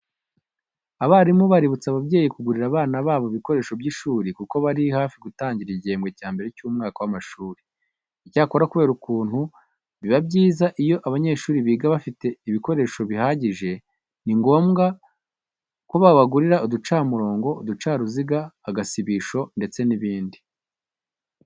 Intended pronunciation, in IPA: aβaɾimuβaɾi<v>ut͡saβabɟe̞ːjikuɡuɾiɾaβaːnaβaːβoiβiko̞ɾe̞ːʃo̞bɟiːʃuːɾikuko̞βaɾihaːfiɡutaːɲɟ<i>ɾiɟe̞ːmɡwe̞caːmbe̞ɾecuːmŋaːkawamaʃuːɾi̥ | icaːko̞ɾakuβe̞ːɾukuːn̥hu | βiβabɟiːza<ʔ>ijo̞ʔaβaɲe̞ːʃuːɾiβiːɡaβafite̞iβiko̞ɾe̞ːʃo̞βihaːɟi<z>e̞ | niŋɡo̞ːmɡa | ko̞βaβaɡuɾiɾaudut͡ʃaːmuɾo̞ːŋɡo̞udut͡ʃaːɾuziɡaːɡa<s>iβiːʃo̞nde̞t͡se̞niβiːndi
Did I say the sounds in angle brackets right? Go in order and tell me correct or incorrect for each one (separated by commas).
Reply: incorrect, correct, correct, incorrect, correct